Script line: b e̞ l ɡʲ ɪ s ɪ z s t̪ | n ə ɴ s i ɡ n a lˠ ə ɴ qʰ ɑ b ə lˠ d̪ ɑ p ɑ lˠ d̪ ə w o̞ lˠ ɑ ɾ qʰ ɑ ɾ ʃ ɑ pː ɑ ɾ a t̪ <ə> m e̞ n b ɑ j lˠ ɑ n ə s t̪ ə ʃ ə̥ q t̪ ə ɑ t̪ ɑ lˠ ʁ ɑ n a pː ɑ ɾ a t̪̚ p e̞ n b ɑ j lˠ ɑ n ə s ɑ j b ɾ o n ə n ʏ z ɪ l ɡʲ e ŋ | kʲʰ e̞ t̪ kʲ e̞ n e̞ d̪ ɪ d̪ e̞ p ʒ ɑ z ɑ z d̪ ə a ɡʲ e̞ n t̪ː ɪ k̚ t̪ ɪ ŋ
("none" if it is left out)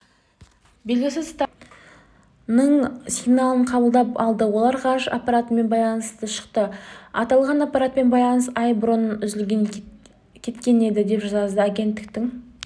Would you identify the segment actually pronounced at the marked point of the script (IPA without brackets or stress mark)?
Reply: ə